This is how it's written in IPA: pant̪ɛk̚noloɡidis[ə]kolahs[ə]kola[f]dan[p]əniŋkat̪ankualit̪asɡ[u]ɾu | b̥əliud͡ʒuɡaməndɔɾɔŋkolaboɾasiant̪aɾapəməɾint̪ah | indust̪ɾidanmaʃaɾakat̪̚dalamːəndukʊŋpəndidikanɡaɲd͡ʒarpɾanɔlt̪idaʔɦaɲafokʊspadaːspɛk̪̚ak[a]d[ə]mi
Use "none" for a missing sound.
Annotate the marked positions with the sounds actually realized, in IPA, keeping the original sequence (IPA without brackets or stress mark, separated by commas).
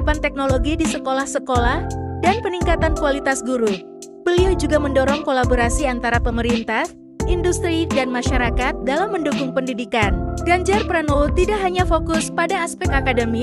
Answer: ə, ə, h, p, u, a, ə